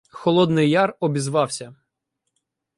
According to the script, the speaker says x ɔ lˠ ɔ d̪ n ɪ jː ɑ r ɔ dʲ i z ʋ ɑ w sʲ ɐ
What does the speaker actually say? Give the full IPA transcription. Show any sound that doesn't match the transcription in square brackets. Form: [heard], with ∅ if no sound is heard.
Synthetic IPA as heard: x ɔ lˠ ɔ d̪ n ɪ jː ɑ r ɔ [bʲ] i z ʋ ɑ w sʲ ɐ

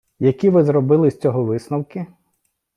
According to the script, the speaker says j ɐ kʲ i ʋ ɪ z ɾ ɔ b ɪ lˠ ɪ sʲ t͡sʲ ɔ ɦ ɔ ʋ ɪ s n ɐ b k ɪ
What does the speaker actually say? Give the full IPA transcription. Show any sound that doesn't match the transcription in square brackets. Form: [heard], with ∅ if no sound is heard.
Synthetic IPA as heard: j ɐ kʲ i ʋ ɪ z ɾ ɔ b ɪ lˠ ɪ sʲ t͡sʲ ɔ ɦ ɔ ʋ ɪ s n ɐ [w] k ɪ

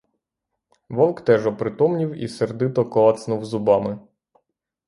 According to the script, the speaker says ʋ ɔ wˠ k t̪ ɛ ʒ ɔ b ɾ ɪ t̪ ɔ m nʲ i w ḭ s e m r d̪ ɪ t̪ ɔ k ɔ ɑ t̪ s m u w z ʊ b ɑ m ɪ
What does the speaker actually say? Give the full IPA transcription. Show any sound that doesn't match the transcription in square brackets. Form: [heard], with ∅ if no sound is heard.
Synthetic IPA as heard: ʋ ɔ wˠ k t̪ ɛ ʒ ɔ [p] ɾ ɪ t̪ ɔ m nʲ i w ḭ s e [∅] r d̪ ɪ t̪ ɔ k ɔ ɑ t̪ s [n] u w z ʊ b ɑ m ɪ

